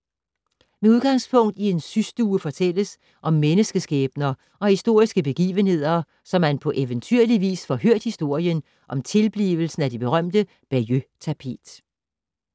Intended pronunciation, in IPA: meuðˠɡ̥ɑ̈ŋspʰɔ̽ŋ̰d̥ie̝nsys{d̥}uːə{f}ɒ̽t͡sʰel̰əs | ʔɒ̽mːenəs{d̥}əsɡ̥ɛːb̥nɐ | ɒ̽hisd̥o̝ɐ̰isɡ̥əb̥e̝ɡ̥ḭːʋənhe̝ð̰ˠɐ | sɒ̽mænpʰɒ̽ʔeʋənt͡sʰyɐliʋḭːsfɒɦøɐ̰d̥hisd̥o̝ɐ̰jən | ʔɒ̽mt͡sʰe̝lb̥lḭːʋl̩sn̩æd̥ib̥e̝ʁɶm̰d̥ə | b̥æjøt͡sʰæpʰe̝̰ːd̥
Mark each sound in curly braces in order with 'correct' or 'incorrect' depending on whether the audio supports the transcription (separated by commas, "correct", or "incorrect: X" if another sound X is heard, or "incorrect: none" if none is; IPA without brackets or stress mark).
correct, correct, incorrect: ɡ̥